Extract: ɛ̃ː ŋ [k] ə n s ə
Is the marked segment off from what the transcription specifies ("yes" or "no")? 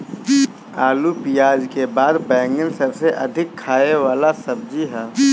yes